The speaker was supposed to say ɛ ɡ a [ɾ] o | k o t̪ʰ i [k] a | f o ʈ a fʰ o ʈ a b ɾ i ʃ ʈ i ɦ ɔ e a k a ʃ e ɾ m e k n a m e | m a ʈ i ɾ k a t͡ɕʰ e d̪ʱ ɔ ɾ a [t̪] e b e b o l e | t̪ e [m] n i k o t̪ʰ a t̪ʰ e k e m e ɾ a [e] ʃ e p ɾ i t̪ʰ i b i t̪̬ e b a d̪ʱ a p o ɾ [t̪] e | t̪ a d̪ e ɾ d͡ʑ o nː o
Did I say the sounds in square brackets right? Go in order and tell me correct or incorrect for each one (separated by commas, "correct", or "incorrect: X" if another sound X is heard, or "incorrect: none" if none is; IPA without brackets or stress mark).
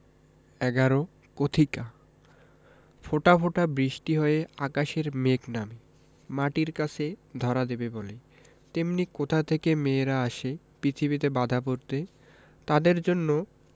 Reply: correct, correct, incorrect: d̪, correct, incorrect: a, correct